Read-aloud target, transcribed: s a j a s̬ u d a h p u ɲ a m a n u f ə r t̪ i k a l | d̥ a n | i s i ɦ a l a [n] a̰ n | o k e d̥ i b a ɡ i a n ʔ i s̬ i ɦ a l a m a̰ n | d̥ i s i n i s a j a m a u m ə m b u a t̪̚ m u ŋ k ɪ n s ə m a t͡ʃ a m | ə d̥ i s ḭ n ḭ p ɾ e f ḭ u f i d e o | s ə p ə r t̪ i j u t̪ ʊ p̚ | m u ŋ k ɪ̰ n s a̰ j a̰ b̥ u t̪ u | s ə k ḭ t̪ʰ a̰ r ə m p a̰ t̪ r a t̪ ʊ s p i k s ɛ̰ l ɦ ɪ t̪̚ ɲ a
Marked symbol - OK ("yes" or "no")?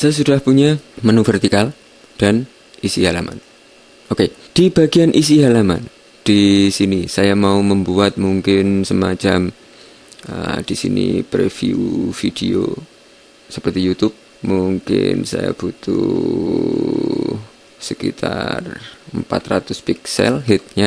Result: no